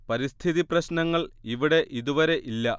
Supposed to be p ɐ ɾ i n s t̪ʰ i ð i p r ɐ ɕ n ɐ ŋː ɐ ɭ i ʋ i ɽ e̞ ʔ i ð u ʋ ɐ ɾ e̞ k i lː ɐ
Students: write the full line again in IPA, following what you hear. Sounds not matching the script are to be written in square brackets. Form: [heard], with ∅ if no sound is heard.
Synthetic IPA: p ɐ ɾ i [∅] s t̪ʰ i ð i p r ɐ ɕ n ɐ ŋː ɐ ɭ i ʋ i ɽ e̞ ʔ i ð u ʋ ɐ ɾ e̞ [ʔ] i lː ɐ